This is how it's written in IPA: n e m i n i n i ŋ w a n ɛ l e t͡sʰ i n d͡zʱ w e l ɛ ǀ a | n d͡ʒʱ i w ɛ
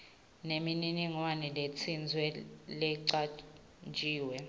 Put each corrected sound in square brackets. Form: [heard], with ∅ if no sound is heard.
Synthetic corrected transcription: n e m i n i n i ŋ w a n ɛ l e t͡sʰ i n d͡zʱ w [ɛ] l ɛ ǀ a | n d͡ʒʱ [iː] w ɛ